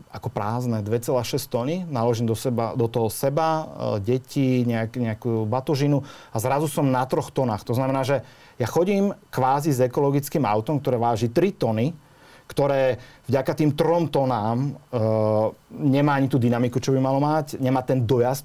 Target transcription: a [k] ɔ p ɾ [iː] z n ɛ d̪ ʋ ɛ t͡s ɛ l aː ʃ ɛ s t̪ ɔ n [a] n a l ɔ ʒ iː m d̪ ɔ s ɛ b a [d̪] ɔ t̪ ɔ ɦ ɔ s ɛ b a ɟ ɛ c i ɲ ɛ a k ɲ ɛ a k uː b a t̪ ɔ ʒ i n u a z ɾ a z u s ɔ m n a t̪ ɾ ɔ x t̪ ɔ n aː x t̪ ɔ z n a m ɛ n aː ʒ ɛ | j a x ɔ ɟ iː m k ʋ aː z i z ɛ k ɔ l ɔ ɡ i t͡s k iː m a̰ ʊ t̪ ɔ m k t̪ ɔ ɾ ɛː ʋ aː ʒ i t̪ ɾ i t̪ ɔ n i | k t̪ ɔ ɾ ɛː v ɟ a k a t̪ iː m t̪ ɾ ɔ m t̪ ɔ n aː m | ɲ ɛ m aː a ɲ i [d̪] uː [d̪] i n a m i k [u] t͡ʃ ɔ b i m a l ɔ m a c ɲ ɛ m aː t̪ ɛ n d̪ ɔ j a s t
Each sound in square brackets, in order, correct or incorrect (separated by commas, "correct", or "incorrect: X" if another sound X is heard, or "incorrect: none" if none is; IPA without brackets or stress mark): correct, incorrect: aː, incorrect: i, correct, incorrect: t̪, correct, correct